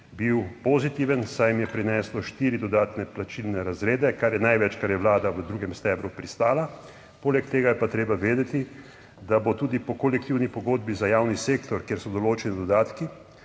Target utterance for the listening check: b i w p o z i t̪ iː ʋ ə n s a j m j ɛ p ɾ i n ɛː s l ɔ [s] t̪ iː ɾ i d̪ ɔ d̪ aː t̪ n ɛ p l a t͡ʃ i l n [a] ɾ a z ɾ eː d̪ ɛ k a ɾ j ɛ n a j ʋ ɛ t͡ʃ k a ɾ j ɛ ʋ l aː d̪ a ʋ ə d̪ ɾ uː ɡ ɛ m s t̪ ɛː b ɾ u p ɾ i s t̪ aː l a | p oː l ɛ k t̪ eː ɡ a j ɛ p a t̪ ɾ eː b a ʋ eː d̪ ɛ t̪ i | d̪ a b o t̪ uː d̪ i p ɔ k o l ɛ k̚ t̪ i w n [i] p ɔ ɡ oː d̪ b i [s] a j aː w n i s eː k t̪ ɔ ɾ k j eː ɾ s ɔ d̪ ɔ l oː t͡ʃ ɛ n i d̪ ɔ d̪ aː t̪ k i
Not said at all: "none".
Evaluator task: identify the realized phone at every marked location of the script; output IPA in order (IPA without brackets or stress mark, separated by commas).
ʃ, ɛ, i, z